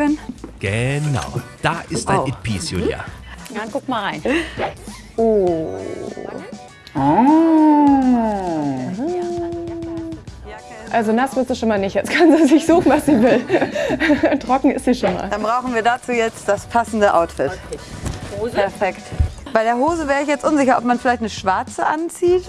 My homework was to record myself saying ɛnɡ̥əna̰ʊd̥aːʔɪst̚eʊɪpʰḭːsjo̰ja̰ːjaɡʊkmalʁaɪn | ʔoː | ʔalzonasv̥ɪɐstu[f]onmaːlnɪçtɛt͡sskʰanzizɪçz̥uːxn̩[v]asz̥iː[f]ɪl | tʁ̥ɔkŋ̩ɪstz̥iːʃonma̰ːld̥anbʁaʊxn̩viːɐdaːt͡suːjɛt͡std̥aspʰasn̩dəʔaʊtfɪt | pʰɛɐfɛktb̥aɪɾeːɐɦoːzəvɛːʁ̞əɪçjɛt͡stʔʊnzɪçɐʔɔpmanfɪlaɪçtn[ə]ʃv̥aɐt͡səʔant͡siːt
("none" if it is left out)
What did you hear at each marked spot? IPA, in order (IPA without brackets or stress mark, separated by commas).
ʃ, v, v, ə